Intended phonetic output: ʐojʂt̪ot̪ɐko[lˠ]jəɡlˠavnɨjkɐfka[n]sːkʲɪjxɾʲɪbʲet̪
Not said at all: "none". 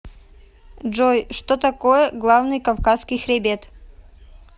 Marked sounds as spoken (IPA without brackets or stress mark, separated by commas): none, none